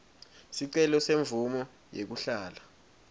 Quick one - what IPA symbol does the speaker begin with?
s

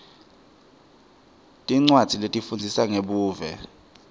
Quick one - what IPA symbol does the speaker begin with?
tʼ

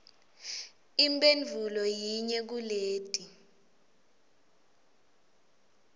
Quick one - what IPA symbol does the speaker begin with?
i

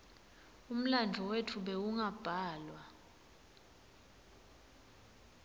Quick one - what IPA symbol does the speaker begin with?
u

